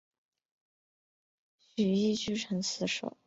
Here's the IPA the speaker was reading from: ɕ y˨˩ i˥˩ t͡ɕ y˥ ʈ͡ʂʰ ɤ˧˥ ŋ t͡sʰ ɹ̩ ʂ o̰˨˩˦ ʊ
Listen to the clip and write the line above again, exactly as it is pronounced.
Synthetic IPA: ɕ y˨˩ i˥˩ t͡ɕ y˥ ʈ͡ʂʰ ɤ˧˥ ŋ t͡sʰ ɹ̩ ʂ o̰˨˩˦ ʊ